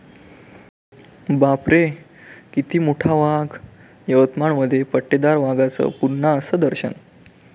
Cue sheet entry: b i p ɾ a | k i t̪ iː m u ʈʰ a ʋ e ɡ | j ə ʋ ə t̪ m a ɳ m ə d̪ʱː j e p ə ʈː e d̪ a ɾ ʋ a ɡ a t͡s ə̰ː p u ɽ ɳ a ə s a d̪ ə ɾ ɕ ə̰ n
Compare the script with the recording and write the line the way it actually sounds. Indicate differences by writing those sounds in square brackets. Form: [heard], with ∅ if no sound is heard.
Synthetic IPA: b [a] p ɾ [e] | k i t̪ iː m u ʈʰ a ʋ [a] ɡ | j ə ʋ ə t̪ m a ɳ m ə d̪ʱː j e p ə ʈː e d̪ a ɾ ʋ a ɡ a t͡s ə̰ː p u [ɾ] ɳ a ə s [ə] d̪ ə ɾ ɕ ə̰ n